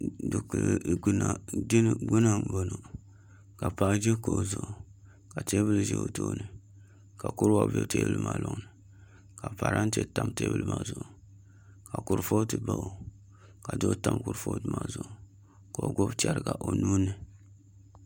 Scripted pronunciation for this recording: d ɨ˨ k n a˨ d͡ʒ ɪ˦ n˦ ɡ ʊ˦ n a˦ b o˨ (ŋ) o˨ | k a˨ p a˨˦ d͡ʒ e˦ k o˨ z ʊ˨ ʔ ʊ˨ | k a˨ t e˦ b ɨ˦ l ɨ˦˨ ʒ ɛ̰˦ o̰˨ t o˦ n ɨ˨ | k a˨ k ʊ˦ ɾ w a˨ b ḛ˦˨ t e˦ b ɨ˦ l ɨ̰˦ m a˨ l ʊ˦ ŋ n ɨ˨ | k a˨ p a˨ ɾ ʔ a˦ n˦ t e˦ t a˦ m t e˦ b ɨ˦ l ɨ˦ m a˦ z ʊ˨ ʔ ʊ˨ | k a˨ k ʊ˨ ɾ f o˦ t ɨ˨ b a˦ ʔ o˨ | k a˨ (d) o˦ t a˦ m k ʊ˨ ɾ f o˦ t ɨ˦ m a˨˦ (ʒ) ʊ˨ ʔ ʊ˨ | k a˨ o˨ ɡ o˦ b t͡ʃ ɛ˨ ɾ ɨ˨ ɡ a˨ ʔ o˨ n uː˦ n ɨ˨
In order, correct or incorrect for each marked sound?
incorrect: n, correct, incorrect: z

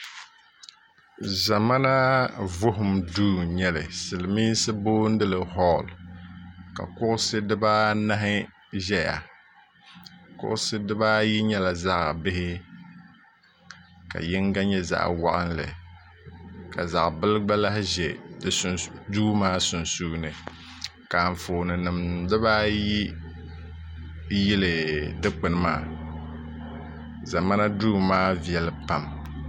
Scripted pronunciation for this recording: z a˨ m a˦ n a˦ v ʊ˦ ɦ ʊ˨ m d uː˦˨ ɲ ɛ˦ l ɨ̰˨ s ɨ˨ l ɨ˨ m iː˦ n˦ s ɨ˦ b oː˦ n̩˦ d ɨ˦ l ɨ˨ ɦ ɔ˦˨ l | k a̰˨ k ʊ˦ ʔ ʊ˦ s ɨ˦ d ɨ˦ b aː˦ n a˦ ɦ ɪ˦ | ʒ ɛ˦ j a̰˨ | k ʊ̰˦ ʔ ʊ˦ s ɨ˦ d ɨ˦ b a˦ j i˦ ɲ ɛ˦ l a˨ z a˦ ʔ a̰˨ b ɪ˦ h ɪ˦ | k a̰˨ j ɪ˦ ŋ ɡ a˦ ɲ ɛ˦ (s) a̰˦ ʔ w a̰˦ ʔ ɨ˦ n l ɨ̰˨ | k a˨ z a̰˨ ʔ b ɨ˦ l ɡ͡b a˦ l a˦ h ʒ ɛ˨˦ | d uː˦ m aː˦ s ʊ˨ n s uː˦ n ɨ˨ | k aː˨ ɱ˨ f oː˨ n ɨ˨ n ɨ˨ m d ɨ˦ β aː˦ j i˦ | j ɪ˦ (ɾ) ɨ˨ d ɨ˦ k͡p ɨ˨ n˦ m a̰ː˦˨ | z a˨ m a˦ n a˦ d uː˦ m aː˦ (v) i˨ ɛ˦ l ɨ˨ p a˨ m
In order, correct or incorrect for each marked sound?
incorrect: z, incorrect: l, correct

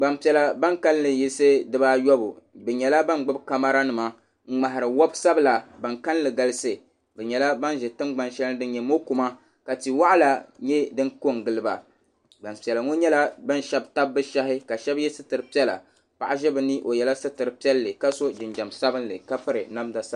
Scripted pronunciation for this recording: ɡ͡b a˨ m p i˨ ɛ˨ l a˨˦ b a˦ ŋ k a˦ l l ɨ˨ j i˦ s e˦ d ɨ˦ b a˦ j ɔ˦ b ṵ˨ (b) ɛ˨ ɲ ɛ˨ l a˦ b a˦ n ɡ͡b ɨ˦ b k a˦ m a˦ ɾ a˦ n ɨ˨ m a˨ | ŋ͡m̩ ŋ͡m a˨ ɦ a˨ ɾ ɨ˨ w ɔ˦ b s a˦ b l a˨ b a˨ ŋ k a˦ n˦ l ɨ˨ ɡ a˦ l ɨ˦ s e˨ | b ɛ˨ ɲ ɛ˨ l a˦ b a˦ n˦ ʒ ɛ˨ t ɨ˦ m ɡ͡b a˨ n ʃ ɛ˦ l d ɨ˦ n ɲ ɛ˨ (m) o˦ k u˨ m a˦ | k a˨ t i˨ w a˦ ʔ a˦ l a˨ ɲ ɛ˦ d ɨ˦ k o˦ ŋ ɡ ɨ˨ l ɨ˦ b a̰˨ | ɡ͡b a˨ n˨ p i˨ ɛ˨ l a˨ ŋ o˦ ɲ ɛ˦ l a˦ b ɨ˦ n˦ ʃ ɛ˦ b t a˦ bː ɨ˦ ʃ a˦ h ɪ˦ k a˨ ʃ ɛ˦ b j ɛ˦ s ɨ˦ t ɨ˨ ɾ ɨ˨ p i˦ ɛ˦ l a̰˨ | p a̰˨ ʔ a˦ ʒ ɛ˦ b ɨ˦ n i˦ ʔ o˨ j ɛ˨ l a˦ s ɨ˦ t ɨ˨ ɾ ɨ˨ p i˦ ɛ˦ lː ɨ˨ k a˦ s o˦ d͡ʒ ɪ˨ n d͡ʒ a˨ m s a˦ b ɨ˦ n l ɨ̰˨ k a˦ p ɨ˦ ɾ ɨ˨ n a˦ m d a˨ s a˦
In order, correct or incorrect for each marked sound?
correct, correct

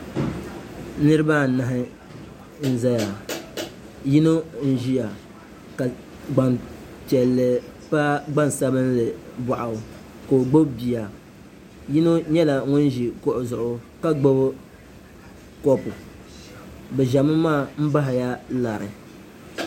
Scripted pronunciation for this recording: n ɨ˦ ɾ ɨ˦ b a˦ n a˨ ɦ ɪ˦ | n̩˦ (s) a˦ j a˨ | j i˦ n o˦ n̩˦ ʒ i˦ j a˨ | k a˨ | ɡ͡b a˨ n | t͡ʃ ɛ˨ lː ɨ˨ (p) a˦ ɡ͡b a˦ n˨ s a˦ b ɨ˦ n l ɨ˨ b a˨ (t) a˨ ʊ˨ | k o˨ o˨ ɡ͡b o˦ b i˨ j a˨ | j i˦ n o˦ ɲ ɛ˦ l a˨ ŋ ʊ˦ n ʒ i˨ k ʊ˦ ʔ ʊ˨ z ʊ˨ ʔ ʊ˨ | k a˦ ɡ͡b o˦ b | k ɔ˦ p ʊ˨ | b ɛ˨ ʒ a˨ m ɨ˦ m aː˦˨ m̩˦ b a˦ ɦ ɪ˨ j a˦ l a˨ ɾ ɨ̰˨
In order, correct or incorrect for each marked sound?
incorrect: z, correct, incorrect: ʔ

